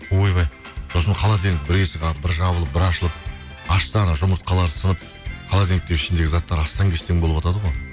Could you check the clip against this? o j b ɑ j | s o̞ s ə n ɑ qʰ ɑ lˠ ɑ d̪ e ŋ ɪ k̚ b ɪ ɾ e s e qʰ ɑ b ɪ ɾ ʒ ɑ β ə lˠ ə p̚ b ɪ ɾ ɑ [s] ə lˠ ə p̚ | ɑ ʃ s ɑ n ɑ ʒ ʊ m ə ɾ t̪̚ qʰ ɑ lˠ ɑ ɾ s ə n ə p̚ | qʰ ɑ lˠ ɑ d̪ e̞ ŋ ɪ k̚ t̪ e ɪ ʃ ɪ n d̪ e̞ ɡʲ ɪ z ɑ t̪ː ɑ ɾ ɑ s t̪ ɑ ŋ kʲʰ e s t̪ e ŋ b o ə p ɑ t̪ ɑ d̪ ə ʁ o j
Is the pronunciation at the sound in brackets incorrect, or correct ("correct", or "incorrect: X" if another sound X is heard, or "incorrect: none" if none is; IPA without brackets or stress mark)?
incorrect: ʃ